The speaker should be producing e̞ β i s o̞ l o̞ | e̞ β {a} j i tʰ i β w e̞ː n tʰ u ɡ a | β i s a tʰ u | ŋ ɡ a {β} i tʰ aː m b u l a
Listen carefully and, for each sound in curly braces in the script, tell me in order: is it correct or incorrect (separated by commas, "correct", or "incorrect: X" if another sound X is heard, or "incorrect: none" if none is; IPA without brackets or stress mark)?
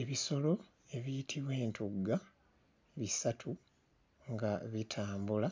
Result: incorrect: i, correct